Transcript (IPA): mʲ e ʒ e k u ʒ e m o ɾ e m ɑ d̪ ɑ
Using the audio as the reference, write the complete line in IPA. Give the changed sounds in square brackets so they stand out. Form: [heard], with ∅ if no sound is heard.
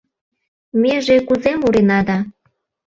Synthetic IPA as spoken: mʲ e ʒ e k u [z] e m [u] ɾ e [n] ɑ d̪ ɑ